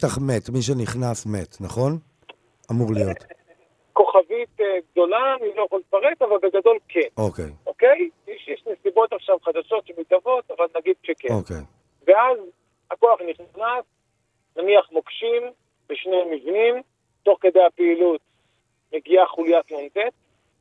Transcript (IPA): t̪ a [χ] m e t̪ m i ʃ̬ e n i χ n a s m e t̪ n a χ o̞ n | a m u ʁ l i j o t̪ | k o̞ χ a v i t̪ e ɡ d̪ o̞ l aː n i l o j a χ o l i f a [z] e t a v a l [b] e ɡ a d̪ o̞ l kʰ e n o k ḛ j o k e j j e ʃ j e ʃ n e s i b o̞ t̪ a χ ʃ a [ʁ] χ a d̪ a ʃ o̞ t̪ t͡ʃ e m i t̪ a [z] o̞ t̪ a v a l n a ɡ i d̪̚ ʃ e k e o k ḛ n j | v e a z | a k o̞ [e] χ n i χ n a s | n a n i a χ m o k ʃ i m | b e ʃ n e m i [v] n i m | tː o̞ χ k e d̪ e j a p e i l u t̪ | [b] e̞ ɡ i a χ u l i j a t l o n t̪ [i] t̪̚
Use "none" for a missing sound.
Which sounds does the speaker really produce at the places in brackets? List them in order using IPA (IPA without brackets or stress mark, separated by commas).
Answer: χ, ʁ, b, v, v, a, v, m, e